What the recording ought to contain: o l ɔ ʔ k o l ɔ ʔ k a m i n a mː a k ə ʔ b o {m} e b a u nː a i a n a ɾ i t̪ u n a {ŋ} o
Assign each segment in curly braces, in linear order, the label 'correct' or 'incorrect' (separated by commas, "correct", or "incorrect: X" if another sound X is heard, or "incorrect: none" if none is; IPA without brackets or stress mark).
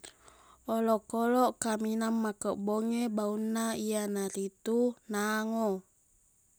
incorrect: ŋ, correct